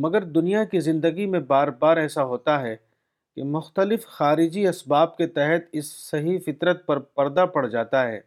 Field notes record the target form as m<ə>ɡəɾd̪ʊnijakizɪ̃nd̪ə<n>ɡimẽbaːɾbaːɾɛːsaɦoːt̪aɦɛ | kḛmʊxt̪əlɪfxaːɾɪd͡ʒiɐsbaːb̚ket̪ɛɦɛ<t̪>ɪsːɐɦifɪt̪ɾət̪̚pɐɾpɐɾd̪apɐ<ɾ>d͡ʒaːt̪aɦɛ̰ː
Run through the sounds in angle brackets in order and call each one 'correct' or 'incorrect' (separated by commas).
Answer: incorrect, incorrect, correct, incorrect